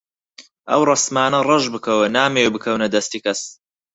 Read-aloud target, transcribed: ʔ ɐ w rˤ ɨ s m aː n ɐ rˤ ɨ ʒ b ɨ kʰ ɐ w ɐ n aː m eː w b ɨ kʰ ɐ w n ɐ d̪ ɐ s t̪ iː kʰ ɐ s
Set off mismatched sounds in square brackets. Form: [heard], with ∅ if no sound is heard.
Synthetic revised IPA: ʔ ɐ w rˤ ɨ s m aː n ɐ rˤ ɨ ʒ b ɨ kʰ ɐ w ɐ n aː m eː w b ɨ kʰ ɐ w n ɐ d̪ ɐ s t̪ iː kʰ ɐ s